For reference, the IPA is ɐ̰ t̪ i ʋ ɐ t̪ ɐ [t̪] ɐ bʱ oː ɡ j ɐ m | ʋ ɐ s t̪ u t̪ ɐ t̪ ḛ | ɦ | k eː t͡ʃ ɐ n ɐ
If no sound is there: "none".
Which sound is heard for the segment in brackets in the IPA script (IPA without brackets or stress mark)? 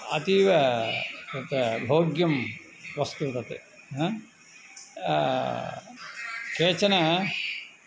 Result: t̪